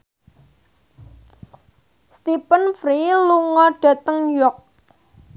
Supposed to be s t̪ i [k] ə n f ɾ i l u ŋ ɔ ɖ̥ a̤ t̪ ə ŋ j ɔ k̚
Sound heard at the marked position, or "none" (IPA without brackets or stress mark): p